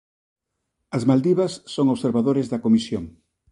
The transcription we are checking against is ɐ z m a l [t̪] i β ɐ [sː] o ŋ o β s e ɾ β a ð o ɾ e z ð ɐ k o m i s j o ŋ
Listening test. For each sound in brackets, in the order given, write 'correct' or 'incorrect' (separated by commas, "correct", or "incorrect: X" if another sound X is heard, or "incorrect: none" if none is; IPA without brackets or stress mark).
incorrect: d̪, correct